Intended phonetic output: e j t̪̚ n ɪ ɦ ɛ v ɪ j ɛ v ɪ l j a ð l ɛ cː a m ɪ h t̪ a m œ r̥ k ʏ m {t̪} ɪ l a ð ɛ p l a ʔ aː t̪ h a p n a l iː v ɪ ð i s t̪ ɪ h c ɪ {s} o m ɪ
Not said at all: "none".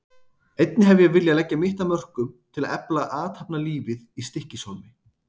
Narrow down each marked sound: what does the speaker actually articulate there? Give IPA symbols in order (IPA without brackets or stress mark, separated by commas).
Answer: t̪ʰ, s